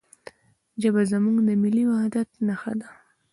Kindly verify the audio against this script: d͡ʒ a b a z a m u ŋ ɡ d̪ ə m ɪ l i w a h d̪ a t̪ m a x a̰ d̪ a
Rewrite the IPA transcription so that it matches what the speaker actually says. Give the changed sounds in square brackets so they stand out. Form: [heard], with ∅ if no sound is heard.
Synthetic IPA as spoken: d͡ʒ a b a z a m u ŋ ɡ d̪ ə m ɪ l i w a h d̪ a t̪ [n] a x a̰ d̪ a

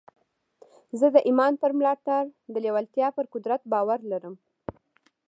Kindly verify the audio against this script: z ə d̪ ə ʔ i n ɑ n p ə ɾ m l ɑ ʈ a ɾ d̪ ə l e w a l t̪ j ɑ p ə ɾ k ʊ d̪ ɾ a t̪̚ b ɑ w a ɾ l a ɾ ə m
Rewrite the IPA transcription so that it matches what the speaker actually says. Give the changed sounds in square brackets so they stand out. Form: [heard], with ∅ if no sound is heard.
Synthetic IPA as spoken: z ə d̪ ə ʔ i [m] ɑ n p ə ɾ m l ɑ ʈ a ɾ d̪ ə l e w a l t̪ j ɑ p ə ɾ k ʊ d̪ ɾ a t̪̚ b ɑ w a ɾ l a ɾ ə m

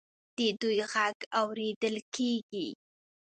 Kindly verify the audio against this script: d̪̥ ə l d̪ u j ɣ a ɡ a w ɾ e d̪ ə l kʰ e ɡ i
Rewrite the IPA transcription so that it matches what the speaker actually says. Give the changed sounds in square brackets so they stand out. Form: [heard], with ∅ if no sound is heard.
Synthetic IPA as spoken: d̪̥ ə [∅] d̪ u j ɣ a ɡ a w ɾ e d̪ ə l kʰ e ɡ i

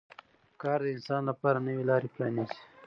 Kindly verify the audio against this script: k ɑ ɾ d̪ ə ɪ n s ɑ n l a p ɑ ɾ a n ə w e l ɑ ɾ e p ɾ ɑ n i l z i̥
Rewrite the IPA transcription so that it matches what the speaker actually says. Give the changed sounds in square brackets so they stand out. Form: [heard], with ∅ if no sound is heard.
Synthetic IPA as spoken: k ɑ ɾ d̪ ə ɪ n s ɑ n l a p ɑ ɾ a n ə w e l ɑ ɾ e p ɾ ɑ n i [∅] z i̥

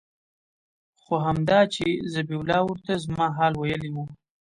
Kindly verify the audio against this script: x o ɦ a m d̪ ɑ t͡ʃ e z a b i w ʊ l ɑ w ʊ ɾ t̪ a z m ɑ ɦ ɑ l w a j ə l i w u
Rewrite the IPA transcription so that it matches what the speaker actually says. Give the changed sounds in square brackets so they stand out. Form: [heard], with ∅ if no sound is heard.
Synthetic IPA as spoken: x o ɦ a m d̪ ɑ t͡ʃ e z a b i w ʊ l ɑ w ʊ ɾ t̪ a z m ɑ ɦ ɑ l w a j ə l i w u

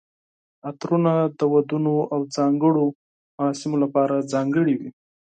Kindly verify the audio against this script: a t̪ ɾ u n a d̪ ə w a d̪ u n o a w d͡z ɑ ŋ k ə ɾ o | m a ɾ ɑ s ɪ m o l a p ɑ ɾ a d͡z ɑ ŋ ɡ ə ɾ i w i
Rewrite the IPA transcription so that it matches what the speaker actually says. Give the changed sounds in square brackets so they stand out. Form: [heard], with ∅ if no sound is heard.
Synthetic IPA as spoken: a t̪ ɾ u n a d̪ ə w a d̪ u n o a w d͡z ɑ ŋ [ɡ] ə [ɽ] o | m a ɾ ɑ s ɪ m o l a p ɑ ɾ a d͡z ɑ ŋ ɡ ə [ɽ] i w i

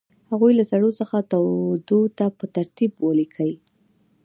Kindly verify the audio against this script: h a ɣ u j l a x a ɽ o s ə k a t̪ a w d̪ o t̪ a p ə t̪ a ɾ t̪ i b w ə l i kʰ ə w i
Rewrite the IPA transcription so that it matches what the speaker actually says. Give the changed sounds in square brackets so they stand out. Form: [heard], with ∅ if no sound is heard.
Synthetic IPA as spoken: h a ɣ u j l a [s] a ɽ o s ə [x] a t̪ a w d̪ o t̪ a p ə t̪ a ɾ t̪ i b w ə l i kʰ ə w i

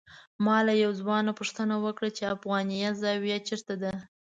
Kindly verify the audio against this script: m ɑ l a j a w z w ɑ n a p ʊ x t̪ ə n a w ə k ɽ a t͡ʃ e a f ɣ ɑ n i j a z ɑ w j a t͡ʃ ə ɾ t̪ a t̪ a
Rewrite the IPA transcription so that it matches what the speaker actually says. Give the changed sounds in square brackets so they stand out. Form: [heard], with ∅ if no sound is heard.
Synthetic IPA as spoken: m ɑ l a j a w z w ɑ n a p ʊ [ʂ] t̪ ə n a w ə k ɽ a t͡ʃ e a f ɣ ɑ n i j a z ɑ w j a t͡ʃ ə ɾ t̪ a [d̪] a

